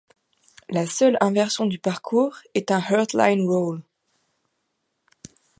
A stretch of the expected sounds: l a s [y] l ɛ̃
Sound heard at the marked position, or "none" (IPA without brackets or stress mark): œ